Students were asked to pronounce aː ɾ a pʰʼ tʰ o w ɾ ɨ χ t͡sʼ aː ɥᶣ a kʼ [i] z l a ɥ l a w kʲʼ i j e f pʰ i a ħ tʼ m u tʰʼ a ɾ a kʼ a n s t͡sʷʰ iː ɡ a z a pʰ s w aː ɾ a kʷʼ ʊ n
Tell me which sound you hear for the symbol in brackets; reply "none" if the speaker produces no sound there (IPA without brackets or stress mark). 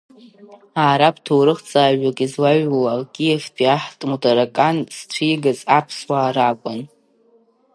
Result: i